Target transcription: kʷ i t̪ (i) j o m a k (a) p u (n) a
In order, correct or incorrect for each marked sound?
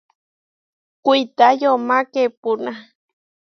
incorrect, incorrect, correct

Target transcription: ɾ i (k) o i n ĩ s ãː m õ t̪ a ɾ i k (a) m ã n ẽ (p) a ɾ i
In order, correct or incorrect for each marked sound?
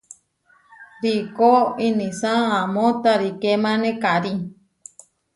correct, incorrect, incorrect

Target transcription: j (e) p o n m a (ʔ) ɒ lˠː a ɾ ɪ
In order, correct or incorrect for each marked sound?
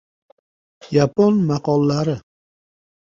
incorrect, incorrect

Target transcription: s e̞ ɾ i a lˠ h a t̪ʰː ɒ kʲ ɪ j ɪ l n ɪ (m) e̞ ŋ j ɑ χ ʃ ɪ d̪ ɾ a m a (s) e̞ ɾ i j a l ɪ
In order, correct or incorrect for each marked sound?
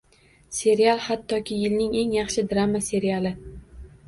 incorrect, correct

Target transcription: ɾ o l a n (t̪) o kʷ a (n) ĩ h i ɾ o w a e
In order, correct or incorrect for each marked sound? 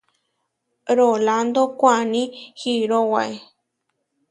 incorrect, correct

